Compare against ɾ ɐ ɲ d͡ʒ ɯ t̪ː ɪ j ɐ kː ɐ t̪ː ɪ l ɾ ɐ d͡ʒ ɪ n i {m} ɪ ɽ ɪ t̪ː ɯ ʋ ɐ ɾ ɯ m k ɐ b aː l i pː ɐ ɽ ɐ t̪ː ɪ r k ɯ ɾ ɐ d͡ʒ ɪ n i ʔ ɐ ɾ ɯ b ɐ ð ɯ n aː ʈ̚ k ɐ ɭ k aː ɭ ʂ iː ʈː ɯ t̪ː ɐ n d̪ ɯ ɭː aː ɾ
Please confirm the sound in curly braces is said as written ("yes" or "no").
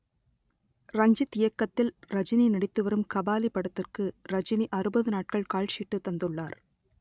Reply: no